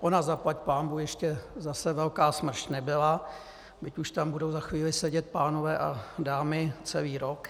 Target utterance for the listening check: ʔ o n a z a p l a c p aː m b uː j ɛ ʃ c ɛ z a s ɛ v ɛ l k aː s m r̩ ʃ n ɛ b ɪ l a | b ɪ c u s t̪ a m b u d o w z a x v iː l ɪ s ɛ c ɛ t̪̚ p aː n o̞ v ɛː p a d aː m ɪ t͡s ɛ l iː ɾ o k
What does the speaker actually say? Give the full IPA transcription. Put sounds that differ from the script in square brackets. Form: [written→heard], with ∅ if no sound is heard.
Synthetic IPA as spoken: ʔ o n a z a p l a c p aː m b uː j ɛ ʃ c ɛ z a s ɛ v ɛ l k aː s m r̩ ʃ n ɛ b ɪ l a | b ɪ c u [s→ʃ] t̪ a m b u d o w z a x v iː l ɪ s ɛ [c→ɟ] ɛ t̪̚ p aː n o̞ v ɛː [p→ʔ] a d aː m ɪ t͡s ɛ l iː ɾ o k